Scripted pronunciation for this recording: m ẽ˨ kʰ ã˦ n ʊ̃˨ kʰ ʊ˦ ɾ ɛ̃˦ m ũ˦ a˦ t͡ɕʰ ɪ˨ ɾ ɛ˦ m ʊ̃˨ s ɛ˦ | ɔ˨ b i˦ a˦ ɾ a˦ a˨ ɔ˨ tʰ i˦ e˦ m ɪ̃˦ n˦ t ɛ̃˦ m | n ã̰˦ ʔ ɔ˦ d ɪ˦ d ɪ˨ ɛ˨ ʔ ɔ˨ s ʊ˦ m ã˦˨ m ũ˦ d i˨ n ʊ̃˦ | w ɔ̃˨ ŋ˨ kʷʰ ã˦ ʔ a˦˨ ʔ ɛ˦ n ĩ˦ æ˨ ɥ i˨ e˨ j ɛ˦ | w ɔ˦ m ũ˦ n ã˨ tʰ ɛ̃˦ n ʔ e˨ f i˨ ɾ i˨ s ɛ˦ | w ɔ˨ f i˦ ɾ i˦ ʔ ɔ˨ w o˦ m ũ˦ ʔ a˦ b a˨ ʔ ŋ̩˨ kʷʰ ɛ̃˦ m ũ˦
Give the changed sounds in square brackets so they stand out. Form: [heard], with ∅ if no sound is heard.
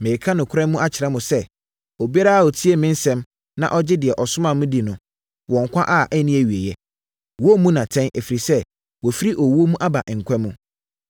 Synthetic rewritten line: m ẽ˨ kʰ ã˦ n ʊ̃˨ kʰ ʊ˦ ɾ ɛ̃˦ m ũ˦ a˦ t͡ɕʰ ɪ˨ ɾ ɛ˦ m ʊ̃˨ s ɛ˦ | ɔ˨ b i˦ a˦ ɾ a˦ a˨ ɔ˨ tʰ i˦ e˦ m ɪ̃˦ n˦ [s] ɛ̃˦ m | n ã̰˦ ʔ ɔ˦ [d͡ʑ] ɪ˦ d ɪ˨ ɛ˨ ʔ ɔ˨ s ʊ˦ m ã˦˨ m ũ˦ d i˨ n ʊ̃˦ | w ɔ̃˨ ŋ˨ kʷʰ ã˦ ʔ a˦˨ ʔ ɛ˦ n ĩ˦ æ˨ ɥ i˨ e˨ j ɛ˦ | w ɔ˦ m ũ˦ n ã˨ tʰ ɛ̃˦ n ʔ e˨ f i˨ ɾ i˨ s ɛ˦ | w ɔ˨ f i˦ ɾ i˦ ʔ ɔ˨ w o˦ m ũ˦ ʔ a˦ b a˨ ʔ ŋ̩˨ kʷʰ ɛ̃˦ m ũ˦